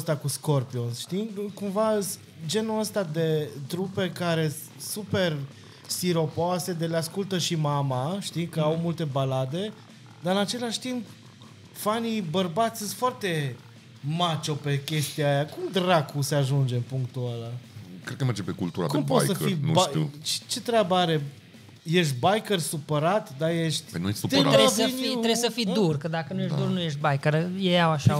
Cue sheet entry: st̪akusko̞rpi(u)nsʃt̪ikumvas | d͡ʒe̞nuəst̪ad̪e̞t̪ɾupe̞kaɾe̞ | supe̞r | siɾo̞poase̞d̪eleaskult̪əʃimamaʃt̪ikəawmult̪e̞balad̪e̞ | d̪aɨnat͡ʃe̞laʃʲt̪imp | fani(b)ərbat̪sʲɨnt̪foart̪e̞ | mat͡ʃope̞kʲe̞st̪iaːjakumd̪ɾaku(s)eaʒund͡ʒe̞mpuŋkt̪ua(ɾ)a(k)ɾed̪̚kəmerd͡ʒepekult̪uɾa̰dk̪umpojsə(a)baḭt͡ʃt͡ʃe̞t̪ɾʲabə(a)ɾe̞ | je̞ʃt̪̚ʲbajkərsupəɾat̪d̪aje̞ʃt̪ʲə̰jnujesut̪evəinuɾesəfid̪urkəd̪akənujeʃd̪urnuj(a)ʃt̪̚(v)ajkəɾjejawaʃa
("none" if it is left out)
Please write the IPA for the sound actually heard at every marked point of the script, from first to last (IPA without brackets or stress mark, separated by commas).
o, b, s, l, k, i, a, e, b